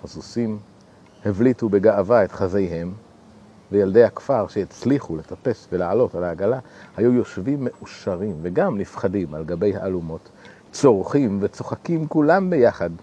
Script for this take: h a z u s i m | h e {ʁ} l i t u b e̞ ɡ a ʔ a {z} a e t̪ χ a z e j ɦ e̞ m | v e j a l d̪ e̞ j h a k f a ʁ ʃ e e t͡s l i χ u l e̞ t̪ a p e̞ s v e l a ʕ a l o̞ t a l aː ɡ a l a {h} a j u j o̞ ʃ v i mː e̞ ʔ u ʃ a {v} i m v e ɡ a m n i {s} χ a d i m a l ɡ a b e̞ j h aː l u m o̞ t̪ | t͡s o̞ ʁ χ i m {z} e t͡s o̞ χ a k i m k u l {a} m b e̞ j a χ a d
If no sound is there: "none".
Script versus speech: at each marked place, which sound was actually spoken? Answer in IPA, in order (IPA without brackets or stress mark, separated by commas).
v, v, h, ʁ, f, v, a